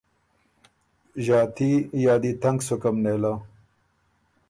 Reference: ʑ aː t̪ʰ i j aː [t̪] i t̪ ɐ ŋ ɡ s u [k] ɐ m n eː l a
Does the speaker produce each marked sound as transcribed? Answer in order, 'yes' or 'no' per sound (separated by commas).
no, yes